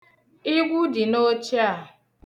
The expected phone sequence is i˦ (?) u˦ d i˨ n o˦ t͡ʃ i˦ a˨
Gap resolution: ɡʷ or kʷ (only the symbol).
ɡʷ